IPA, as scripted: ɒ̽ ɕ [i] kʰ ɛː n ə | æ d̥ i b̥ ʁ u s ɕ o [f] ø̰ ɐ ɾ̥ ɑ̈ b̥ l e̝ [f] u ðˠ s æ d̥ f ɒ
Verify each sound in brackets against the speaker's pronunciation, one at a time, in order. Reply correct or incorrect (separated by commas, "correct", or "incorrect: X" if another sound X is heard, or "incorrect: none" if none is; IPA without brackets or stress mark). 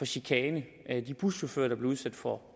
correct, correct, incorrect: none